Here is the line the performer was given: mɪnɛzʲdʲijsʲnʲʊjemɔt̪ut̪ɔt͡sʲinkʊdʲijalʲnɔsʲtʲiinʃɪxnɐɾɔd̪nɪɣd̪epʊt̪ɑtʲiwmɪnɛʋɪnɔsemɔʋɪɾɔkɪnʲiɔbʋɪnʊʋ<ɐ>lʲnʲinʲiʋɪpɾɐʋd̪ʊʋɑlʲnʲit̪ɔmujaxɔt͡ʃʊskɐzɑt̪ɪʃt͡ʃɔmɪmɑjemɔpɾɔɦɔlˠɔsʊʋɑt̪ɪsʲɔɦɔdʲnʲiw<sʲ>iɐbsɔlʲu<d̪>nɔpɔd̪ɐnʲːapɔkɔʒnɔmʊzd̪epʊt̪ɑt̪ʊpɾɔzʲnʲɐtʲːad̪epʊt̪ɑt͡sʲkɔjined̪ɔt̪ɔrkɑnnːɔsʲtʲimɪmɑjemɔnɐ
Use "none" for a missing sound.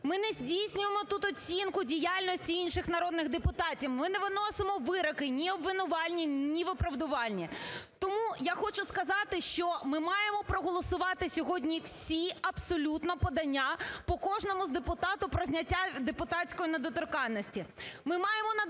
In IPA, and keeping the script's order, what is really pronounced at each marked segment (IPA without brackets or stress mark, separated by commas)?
ɑ, sʲ, t̪